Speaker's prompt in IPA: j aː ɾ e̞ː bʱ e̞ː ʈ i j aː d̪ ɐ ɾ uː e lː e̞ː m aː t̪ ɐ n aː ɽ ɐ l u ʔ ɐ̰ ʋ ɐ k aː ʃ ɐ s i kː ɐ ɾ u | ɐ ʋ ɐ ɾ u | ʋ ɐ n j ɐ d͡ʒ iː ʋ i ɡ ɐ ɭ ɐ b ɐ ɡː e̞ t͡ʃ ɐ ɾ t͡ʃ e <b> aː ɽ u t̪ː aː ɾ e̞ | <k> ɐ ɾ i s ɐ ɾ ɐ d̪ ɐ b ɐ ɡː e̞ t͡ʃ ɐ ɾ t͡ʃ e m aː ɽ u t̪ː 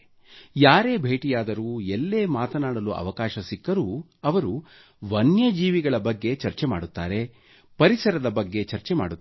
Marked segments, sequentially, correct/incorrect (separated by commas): incorrect, incorrect